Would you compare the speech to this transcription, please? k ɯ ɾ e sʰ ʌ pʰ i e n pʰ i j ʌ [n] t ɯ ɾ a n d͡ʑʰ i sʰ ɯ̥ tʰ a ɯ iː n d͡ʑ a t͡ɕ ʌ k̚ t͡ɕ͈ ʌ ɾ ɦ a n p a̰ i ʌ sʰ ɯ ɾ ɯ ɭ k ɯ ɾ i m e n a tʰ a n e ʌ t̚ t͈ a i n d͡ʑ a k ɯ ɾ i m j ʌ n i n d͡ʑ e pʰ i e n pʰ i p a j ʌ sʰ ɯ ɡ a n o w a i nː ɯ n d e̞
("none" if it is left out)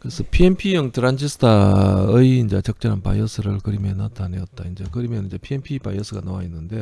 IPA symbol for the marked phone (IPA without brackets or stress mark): ŋ